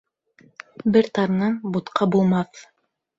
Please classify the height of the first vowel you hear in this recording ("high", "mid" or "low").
mid